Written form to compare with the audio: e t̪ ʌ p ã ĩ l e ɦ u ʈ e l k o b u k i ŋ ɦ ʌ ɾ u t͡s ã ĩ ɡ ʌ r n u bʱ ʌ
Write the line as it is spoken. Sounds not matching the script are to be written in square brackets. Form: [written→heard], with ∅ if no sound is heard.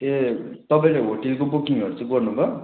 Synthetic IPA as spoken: e t̪ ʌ p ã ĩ l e ɦ [u→o] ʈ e l k o b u k i ŋ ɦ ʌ ɾ u t͡s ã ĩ ɡ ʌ r n u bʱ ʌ